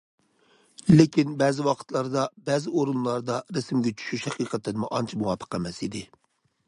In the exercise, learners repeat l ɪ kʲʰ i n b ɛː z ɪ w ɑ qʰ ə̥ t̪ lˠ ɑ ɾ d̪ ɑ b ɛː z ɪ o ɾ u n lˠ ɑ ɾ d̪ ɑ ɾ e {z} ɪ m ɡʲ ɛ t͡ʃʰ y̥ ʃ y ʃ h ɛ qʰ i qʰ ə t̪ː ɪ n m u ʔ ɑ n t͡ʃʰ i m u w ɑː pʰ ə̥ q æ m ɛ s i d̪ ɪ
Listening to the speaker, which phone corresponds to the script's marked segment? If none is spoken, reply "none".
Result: s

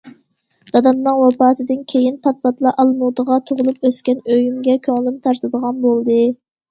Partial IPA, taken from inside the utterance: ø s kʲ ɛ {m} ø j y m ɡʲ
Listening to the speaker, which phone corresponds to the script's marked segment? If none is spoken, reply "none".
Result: n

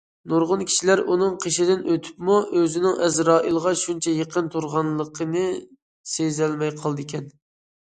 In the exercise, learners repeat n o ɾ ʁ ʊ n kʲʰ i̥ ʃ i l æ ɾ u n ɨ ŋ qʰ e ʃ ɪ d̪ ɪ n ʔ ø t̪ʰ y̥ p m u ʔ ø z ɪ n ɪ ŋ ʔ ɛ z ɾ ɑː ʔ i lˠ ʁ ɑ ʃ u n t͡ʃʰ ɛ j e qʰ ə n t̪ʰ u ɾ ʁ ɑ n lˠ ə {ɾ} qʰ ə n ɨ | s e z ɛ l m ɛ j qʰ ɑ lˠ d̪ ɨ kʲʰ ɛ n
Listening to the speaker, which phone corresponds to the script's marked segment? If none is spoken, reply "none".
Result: none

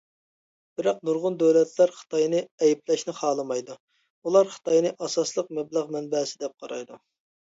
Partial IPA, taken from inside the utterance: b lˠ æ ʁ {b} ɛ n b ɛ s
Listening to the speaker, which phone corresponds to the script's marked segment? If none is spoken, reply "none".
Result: m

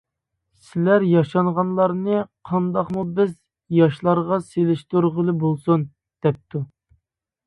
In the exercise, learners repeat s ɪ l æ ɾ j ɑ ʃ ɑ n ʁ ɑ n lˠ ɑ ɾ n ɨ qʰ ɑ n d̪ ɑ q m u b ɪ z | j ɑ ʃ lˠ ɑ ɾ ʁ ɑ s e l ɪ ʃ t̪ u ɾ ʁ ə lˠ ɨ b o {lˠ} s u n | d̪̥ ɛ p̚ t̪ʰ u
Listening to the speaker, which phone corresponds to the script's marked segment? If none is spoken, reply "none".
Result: lˠ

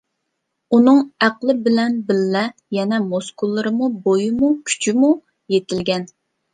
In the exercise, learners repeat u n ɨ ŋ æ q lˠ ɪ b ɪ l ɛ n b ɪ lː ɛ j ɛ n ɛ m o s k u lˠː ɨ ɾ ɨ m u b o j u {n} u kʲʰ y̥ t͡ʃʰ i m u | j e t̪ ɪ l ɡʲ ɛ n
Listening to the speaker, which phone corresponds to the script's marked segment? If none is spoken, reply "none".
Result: m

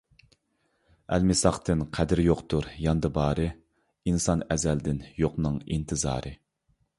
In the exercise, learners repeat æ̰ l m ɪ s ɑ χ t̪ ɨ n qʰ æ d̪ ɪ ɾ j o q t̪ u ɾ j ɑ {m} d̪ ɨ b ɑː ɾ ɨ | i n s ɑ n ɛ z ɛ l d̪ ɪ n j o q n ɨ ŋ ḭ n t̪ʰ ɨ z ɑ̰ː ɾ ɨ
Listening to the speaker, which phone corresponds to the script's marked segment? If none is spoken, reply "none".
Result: n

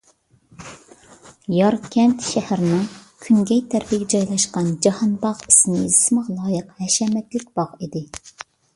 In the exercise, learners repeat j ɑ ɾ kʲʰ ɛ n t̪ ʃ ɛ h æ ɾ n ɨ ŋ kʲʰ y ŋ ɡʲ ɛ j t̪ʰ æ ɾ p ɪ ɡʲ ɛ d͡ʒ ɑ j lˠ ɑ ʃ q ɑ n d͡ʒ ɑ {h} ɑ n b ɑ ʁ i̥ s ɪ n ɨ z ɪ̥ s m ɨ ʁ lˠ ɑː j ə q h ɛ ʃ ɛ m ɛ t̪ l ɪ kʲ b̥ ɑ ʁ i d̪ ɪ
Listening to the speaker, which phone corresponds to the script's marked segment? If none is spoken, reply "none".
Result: h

